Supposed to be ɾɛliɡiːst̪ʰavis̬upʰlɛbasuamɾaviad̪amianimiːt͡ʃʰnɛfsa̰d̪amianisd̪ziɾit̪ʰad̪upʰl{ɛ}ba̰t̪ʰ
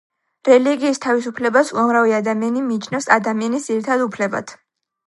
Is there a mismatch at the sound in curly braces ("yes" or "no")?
no